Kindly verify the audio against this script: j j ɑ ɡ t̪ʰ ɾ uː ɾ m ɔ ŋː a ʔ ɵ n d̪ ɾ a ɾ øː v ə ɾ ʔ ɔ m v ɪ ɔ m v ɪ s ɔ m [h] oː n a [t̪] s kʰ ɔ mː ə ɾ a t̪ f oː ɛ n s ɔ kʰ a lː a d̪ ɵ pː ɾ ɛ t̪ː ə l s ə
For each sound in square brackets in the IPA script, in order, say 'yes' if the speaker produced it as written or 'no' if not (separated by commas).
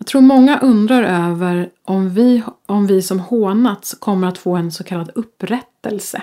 yes, yes